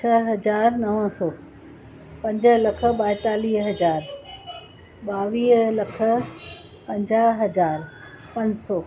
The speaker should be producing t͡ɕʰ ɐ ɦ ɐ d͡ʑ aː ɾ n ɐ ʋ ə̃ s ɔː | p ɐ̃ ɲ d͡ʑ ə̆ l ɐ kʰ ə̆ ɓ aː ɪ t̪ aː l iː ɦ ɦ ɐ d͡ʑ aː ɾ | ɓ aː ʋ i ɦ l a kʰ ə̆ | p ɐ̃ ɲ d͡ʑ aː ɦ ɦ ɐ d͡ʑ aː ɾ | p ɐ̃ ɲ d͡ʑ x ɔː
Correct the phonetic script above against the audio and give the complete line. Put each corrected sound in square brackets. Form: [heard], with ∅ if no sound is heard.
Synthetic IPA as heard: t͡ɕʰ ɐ ɦ ɐ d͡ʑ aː ɾ n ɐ ʋ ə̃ s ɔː | p ɐ̃ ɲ d͡ʑ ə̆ l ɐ kʰ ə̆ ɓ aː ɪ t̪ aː l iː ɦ ɦ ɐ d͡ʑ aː ɾ | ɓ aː ʋ [iː] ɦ l [ɐ] kʰ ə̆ | p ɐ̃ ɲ d͡ʑ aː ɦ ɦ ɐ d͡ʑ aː ɾ | p ɐ̃ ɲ d͡ʑ [s] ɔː